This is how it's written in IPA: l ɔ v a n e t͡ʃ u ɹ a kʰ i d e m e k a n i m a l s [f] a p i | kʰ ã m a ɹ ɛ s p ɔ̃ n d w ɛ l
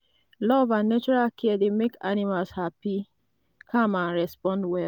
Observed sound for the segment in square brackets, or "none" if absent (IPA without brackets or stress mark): h